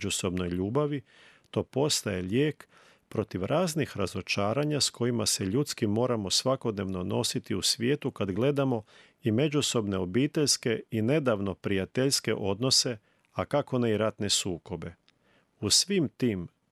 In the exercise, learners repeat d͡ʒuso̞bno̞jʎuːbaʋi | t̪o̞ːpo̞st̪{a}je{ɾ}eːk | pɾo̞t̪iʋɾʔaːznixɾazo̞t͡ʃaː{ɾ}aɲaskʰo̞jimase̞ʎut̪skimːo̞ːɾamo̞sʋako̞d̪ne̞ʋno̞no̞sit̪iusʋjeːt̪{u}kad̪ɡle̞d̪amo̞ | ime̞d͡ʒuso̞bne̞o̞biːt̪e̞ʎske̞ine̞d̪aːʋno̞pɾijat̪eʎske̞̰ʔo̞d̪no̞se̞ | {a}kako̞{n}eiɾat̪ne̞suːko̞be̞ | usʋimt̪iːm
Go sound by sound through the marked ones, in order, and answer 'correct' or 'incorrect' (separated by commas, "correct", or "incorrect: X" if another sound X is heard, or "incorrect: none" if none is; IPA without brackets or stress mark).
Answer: correct, incorrect: ʎ, correct, correct, correct, correct